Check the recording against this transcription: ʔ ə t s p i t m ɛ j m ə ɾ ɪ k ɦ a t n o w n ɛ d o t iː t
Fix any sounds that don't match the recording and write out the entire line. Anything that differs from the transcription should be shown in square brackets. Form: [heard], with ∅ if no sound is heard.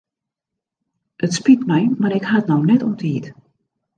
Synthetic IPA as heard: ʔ ə t s p i t m ɛ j m [a] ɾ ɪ k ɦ a t n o w n ɛ [t] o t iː t